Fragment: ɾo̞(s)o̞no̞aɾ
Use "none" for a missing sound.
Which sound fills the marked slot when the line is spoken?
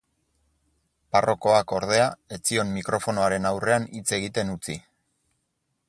f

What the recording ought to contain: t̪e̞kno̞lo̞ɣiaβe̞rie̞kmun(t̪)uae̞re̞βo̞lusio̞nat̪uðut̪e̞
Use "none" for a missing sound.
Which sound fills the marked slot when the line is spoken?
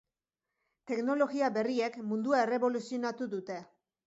d̪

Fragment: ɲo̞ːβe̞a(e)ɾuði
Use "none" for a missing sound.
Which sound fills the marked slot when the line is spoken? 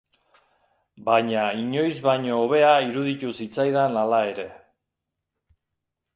i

